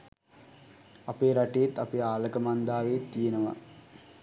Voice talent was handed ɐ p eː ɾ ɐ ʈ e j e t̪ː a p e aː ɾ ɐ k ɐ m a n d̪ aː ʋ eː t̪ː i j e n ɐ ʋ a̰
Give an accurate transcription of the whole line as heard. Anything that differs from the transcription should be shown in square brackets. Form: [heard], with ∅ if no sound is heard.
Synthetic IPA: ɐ p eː ɾ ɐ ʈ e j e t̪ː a p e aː [l] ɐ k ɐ m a n d̪ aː ʋ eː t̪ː i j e n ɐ ʋ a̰